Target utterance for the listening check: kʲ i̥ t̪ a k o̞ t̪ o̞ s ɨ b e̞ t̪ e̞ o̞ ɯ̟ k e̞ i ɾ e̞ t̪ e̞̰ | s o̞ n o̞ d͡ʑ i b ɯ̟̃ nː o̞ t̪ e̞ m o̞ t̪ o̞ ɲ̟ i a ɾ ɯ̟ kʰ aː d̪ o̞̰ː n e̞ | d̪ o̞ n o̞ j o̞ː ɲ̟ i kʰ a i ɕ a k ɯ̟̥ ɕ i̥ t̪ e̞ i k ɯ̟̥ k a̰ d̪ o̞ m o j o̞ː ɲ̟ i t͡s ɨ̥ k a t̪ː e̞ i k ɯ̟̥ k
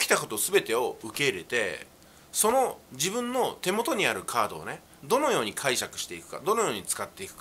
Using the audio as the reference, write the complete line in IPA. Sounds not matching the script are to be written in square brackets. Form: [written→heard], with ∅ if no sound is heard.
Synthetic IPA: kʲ i̥ t̪ a k o̞ t̪ o̞ s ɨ b e̞ t̪ e̞ o̞ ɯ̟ k e̞ i ɾ e̞ t̪ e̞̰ | s o̞ n o̞ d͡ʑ i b ɯ̟̃ nː o̞ t̪ e̞ m o̞ t̪ o̞ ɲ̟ i a ɾ ɯ̟ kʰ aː d̪ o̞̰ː n e̞ | d̪ o̞ n o̞ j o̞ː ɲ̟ i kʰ a i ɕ a k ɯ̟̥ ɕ i̥ t̪ e̞ i k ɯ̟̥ k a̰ d̪ o̞ [m→n] o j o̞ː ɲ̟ i t͡s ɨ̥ k a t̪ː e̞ i k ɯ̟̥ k